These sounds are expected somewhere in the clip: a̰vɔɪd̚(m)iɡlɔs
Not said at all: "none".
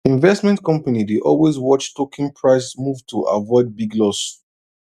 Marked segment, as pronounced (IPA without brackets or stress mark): b